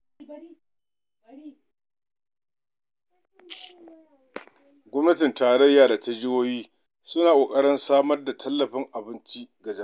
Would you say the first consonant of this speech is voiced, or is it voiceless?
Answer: voiced